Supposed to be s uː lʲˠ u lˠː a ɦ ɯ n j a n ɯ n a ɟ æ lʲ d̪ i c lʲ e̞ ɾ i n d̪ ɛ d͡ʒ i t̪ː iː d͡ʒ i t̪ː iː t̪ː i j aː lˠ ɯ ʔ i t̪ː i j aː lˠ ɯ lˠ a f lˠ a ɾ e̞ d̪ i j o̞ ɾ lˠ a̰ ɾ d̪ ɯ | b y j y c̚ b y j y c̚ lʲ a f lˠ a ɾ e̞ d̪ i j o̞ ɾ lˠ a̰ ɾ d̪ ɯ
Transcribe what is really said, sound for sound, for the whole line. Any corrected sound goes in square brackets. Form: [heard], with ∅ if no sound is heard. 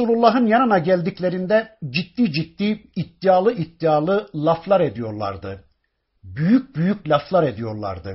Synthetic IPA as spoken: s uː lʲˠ u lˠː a ɦ ɯ n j a n ɯ n a ɟ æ lʲ d̪ i c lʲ e̞ ɾ i n d̪ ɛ d͡ʒ i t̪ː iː d͡ʒ i t̪ː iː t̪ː i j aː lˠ ɯ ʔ i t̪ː i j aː lˠ ɯ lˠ a f lˠ a ɾ e̞ d̪ i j o̞ ɾ lˠ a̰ ɾ d̪ ɯ | b y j y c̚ b y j y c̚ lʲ a f lˠ a ɾ e̞ d̪ i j o̞ ɾ lˠ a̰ ɾ d̪ ɯ